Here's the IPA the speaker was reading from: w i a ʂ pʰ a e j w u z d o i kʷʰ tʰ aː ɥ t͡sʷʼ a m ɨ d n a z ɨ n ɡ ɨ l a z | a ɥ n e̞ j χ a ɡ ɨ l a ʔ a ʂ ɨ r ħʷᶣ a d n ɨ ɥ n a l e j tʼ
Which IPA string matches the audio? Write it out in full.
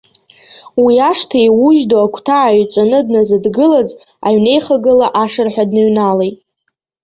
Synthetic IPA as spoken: w i a ʂ tʰ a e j w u ʒ d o a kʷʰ tʰ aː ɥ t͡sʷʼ a n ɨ d n a z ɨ d ɡ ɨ l a z | a ɥ n e̞ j χ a ɡ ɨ l a ʔ a ʂ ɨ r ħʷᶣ a d n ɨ ɥ n a l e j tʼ